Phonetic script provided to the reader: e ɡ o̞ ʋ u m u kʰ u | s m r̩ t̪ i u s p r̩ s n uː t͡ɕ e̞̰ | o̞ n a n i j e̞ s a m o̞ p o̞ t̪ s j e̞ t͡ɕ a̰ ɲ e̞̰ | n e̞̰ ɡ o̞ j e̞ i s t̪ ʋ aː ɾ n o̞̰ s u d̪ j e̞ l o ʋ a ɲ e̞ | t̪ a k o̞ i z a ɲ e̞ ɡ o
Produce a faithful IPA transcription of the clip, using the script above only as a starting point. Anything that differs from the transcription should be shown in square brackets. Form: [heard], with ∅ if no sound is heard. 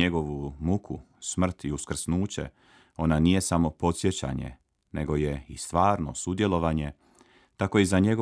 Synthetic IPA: e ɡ o̞ ʋ u m u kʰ u | s m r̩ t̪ i u s [k] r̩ s n uː t͡ɕ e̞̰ | o̞ n a n i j e̞ s a m o̞ p o̞ t̪ s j e̞ t͡ɕ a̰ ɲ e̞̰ | n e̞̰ ɡ o̞ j e̞ i s t̪ ʋ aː ɾ n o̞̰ s u d̪ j e̞ l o ʋ a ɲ e̞ | t̪ a k o̞ i z a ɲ e̞ ɡ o